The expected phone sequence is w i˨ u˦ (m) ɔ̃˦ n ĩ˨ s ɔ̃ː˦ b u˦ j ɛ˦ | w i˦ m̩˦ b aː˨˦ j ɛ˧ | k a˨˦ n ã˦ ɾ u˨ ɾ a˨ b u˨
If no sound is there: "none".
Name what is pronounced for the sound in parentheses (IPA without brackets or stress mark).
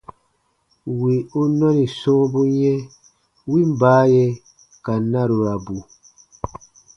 n